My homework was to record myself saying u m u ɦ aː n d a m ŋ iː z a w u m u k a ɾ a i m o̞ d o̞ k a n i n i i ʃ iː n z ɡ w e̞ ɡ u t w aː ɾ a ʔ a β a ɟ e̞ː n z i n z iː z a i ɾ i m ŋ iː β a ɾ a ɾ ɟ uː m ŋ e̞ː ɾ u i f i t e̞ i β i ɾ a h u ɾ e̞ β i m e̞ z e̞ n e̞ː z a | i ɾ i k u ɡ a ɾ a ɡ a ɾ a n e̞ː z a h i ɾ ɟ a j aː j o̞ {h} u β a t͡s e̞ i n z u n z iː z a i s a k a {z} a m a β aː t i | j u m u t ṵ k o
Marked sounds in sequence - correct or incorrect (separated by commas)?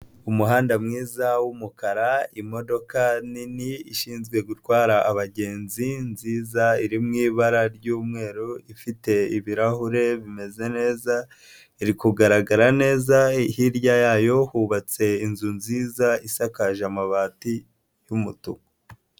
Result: correct, incorrect